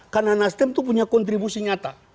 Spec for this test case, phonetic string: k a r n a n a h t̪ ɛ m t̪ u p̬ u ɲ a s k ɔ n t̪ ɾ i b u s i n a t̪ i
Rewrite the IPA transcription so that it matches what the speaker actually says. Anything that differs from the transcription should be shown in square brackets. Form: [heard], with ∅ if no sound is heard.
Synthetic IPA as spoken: k a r n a n a [s] t̪ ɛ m t̪ u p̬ u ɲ a [∅] k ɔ n t̪ ɾ i b u s i [ɲ] a t̪ [a]